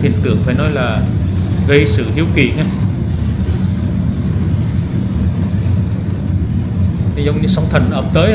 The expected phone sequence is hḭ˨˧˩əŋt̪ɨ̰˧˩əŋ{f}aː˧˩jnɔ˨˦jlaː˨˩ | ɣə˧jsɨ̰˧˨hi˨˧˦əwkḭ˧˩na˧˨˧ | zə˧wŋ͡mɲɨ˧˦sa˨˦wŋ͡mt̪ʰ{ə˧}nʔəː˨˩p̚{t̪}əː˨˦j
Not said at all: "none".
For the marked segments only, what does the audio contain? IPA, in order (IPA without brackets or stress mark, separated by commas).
f, ə˨˩, t̪